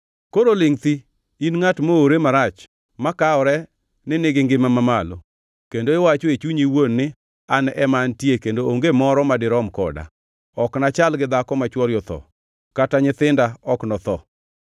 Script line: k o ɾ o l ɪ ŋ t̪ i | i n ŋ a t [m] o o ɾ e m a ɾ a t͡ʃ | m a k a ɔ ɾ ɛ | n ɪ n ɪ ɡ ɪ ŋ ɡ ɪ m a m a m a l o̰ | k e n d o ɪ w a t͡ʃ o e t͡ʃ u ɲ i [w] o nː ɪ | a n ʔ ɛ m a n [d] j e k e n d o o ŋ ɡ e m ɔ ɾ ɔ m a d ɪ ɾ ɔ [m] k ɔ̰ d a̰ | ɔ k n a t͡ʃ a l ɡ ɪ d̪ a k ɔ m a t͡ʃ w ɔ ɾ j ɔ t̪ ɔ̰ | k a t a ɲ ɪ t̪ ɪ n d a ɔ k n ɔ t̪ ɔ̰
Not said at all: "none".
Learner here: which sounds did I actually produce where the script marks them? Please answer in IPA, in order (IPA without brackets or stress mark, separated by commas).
m, w, t, m